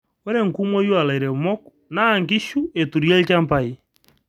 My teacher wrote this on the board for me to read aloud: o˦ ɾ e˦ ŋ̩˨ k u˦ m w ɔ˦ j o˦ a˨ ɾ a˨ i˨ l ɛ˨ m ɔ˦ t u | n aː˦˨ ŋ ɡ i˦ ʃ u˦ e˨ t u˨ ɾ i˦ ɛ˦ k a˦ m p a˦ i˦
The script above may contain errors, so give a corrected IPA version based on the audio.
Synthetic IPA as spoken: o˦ ɾ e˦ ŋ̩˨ k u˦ m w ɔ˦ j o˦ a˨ l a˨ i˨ ɾ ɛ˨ m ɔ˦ k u | n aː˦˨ ŋ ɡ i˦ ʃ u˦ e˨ t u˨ ɾ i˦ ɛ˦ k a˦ m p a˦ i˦